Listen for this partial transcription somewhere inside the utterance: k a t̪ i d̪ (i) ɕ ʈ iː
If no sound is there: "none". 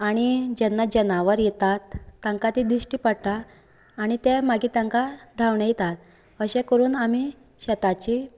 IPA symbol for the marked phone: i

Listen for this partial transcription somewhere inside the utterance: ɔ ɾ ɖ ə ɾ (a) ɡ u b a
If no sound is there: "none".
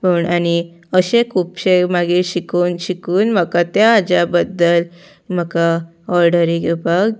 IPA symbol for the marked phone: i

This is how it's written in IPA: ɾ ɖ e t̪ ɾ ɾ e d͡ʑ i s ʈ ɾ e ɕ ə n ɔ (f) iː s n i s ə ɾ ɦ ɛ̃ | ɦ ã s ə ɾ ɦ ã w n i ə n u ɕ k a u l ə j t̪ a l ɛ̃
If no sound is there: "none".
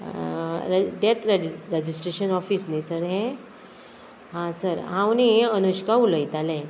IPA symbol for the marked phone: f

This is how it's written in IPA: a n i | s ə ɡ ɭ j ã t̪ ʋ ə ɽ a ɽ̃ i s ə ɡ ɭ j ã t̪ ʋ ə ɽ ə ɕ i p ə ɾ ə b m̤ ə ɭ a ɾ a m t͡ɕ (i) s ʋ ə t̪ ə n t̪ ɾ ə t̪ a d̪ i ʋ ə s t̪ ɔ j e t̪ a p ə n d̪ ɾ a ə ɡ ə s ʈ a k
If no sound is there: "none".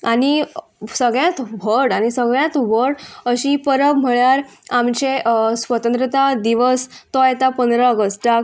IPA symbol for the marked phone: e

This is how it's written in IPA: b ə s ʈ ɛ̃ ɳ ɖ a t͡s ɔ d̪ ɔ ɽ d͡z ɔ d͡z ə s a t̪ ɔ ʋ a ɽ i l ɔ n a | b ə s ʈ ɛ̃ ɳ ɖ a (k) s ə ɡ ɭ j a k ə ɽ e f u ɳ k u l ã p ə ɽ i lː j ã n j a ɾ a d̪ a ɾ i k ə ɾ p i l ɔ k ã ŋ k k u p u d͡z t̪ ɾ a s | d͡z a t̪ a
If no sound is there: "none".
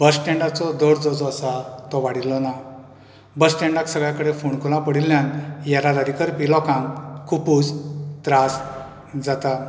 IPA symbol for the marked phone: k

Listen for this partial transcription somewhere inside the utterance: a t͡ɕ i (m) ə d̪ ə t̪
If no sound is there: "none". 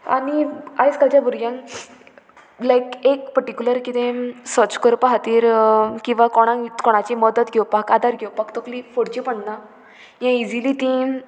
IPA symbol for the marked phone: m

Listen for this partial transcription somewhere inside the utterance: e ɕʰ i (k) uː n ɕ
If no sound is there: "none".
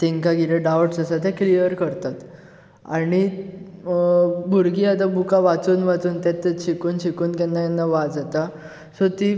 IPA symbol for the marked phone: k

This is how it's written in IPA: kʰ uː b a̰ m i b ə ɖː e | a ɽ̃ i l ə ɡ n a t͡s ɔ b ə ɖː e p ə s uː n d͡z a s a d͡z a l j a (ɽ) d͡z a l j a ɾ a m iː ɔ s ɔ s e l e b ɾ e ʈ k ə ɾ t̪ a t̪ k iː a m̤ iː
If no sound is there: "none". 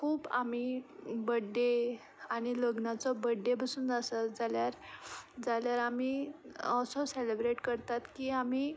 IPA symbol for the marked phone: ɾ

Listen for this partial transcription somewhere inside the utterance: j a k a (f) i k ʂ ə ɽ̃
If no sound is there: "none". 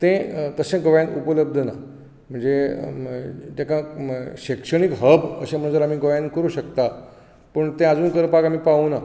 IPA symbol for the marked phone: ɕ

